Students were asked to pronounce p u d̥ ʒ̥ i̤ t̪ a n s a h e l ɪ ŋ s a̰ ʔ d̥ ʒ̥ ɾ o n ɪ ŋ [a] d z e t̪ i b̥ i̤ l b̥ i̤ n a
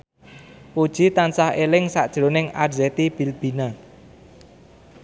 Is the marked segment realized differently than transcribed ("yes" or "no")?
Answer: no